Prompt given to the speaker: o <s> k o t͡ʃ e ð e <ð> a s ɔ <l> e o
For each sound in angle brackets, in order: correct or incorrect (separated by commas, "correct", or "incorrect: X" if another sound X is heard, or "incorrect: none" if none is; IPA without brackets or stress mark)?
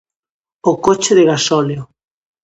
incorrect: none, incorrect: ɣ, correct